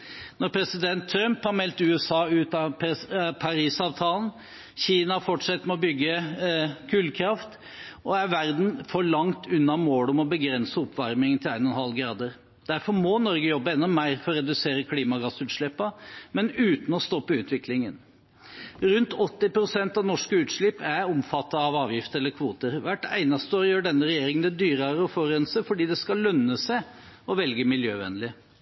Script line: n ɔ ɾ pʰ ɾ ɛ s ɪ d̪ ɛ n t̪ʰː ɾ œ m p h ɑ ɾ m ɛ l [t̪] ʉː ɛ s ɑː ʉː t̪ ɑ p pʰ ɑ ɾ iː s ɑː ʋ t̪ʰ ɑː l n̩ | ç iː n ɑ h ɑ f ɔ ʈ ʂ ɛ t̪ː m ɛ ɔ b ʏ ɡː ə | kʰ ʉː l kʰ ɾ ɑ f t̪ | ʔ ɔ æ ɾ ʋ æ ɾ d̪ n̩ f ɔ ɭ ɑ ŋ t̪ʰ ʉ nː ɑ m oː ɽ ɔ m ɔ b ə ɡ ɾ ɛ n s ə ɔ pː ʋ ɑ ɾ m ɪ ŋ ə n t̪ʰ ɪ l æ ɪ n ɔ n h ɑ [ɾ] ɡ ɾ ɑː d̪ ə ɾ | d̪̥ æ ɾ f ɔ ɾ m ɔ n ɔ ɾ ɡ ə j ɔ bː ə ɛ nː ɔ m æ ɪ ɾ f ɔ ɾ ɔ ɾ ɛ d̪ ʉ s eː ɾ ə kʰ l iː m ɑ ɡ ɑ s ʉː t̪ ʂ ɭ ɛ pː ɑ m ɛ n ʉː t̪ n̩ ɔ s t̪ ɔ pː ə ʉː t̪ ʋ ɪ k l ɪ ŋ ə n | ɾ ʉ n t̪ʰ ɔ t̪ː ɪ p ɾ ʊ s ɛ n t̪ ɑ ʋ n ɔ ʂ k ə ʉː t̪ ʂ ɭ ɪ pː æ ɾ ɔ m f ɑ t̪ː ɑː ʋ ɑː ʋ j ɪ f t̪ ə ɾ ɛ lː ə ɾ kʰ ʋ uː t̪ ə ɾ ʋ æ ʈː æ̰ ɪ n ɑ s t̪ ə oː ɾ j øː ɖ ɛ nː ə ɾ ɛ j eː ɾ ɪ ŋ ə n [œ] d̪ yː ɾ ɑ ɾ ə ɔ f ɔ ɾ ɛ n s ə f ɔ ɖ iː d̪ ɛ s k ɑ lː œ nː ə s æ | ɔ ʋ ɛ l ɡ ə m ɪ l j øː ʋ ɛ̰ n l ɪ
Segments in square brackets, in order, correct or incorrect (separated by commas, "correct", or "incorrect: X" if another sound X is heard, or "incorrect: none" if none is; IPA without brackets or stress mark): correct, incorrect: l, incorrect: ɛ